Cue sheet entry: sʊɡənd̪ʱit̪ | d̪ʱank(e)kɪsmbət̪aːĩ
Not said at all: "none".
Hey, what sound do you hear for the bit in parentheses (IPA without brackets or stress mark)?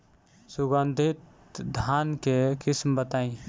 e